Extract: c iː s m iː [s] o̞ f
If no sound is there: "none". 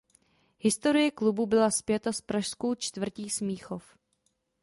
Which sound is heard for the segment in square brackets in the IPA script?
x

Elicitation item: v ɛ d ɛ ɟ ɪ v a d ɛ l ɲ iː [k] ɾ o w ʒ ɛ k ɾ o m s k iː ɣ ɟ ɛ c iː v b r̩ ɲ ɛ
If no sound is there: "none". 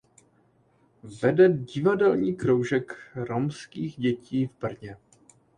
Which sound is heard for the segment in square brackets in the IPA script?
k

